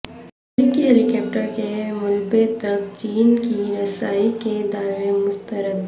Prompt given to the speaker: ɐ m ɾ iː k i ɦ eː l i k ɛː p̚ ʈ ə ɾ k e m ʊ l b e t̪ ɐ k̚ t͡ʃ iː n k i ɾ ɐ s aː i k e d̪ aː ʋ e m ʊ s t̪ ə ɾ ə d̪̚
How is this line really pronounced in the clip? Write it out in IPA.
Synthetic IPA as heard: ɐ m ɾ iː k i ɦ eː l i k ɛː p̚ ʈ ə ɾ k e m ʊ l b e t̪ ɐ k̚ t͡ʃ iː n k i ɾ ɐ s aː i k e d̪ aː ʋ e m ʊ s t̪ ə ɾ ə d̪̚